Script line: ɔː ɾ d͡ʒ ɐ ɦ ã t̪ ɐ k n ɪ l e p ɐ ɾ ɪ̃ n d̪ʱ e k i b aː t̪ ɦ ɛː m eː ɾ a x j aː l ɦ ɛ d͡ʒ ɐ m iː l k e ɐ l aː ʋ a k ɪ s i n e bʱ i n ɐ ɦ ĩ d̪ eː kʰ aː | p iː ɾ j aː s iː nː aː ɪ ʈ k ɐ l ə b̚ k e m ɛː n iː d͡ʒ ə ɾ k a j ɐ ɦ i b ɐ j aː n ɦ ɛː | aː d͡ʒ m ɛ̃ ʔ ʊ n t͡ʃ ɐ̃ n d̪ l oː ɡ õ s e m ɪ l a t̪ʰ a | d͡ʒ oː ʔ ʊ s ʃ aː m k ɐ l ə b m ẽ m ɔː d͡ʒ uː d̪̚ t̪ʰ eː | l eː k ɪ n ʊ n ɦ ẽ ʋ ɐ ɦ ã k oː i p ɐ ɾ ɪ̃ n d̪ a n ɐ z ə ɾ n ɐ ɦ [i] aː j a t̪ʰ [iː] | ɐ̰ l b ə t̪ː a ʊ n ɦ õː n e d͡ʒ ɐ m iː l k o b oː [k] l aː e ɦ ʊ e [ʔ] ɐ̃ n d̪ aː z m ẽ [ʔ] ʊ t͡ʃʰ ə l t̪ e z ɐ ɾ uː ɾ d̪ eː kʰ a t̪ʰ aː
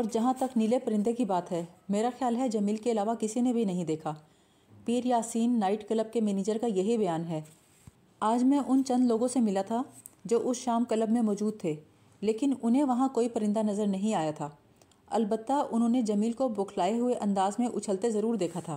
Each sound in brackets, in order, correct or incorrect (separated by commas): incorrect, incorrect, incorrect, correct, correct